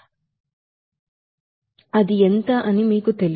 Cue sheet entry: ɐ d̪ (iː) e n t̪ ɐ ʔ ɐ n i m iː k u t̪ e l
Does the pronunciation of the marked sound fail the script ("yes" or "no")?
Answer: yes